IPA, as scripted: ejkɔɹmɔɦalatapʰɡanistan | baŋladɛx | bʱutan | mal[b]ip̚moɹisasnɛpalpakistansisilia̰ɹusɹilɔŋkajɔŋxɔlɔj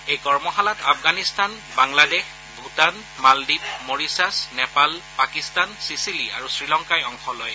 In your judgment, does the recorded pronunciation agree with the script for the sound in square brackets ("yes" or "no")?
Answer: no